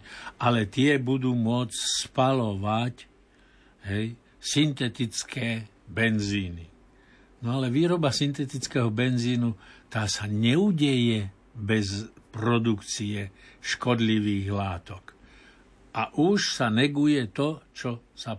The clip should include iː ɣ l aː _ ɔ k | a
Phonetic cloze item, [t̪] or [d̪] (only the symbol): t̪